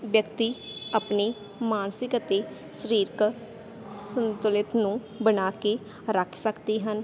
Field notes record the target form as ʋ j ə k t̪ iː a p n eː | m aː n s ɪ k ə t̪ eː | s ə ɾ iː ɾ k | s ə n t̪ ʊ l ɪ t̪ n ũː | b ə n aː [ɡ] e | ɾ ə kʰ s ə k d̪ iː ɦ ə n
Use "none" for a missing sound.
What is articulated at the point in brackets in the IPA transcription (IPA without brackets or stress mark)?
k